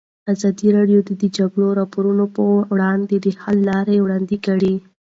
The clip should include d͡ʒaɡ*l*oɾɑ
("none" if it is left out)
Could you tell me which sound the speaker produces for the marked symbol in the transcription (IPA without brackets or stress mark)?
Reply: ɽ